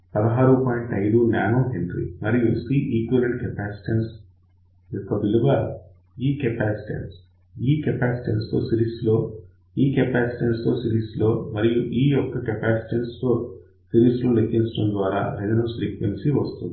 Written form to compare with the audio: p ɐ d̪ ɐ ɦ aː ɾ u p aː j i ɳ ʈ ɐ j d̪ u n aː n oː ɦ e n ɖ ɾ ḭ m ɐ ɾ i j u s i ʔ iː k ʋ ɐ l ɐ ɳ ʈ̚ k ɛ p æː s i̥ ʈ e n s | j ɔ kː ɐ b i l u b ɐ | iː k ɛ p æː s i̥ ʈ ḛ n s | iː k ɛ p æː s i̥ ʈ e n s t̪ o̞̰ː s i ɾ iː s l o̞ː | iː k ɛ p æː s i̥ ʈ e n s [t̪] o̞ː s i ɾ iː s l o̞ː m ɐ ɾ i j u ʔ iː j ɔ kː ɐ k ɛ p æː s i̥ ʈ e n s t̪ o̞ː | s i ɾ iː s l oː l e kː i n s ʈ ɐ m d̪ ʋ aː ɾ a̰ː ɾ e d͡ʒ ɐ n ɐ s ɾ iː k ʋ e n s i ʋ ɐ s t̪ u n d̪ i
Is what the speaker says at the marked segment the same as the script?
yes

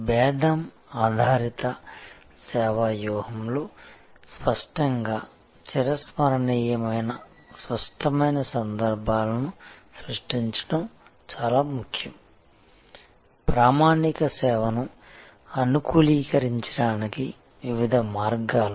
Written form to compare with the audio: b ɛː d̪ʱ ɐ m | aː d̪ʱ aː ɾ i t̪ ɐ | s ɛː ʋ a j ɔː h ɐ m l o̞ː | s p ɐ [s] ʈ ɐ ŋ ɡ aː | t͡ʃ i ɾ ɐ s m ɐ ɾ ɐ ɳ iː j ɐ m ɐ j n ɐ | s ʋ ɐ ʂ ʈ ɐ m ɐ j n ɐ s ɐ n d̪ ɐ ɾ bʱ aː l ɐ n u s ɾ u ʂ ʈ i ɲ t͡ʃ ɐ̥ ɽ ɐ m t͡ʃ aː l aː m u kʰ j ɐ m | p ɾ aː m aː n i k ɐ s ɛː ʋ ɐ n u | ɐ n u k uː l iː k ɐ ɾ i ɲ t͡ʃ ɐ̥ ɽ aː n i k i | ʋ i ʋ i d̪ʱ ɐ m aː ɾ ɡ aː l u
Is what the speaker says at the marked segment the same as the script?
no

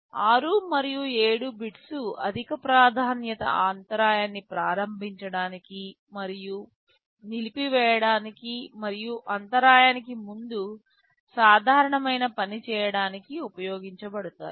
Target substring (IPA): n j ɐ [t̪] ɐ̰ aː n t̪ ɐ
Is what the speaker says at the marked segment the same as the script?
yes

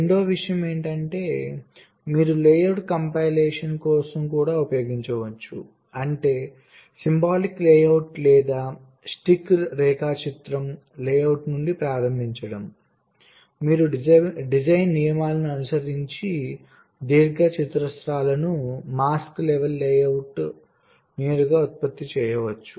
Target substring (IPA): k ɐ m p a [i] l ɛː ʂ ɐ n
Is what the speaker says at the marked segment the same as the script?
no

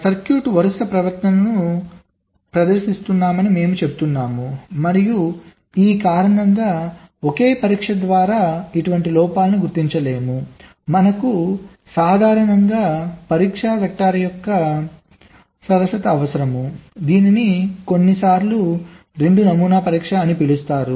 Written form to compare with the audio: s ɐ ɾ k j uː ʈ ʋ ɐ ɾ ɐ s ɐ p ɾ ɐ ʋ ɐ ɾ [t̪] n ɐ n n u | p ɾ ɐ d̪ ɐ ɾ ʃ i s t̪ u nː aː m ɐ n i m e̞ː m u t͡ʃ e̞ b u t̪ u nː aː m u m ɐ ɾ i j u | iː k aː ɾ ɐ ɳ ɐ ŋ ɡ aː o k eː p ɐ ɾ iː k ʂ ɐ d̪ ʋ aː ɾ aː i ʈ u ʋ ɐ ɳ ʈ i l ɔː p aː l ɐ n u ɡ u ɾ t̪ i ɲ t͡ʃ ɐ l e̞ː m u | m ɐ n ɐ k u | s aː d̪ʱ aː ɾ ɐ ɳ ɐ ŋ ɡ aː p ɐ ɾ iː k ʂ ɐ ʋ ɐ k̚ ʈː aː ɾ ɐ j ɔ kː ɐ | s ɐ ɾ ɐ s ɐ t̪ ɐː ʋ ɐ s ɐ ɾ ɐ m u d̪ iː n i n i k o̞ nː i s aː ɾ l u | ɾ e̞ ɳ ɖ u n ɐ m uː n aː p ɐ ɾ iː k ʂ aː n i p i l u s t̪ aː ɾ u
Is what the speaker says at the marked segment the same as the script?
yes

